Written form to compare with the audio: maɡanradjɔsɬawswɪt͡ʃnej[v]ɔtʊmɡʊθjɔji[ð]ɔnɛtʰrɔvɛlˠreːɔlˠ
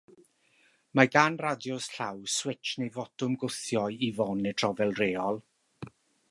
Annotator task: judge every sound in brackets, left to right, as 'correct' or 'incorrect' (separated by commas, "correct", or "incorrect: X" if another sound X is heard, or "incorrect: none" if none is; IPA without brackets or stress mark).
correct, incorrect: v